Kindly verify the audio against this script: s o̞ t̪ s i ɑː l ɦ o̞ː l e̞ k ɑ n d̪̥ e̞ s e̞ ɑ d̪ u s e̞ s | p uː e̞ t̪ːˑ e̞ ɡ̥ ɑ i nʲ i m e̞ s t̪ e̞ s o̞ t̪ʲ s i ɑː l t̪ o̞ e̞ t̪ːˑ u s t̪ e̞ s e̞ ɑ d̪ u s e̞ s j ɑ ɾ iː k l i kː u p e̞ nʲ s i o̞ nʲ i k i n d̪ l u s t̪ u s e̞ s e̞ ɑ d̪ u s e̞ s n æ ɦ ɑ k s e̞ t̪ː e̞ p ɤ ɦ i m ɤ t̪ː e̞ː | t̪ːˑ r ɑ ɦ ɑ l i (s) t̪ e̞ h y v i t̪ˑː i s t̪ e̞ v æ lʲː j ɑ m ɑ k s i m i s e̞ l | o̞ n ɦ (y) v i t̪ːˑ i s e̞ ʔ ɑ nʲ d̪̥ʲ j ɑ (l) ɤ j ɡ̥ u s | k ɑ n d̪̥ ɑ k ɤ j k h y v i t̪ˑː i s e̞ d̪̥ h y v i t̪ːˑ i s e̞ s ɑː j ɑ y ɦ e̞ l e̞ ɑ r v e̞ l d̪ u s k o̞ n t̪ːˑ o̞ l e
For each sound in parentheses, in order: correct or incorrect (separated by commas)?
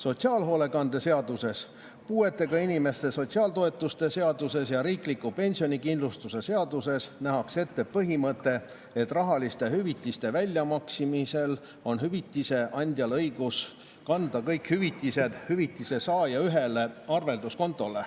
correct, correct, correct